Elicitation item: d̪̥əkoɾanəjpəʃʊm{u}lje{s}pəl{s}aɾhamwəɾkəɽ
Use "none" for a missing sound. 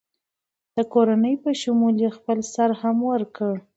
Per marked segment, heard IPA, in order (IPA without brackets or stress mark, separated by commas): u, x, s